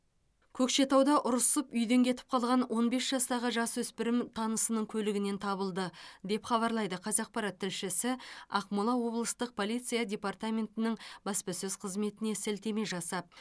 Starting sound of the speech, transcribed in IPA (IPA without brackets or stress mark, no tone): kʲʰ